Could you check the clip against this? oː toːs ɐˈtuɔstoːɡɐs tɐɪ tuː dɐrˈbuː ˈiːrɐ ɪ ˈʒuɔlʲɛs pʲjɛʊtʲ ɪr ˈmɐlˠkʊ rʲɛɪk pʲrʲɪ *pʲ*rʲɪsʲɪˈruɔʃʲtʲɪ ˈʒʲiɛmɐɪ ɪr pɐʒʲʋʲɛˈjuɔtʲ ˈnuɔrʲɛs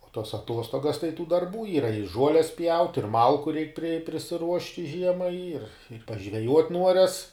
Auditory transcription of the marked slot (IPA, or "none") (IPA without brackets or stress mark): pʲ